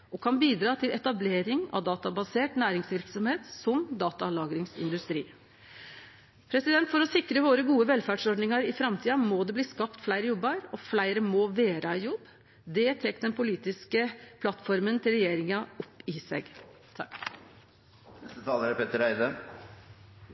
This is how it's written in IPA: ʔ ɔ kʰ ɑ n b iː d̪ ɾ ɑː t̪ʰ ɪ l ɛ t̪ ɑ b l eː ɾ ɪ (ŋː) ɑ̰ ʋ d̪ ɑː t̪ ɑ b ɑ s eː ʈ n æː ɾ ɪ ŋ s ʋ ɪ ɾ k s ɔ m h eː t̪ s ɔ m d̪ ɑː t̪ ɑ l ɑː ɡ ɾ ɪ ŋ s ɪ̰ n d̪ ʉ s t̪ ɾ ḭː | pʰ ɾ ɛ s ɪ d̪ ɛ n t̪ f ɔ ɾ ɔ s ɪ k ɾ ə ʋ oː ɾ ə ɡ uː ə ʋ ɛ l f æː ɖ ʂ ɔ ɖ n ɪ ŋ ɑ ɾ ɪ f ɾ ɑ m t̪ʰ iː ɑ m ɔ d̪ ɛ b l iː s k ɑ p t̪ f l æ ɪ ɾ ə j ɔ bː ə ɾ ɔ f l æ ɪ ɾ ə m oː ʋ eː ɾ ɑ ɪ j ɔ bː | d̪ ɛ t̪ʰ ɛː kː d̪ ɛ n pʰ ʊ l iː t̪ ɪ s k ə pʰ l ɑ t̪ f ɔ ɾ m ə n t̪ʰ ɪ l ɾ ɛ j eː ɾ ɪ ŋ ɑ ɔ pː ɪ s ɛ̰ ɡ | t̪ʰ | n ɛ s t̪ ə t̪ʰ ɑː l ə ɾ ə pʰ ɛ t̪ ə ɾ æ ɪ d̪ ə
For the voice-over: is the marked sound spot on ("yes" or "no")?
no